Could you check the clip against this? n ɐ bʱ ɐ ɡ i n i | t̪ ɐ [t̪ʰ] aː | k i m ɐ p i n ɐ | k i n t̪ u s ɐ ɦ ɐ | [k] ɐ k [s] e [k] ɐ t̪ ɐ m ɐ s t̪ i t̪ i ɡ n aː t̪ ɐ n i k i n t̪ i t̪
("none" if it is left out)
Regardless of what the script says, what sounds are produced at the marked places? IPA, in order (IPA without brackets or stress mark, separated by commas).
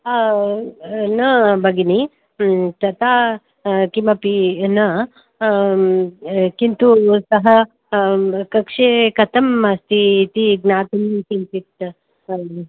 t̪, k, ʂ, k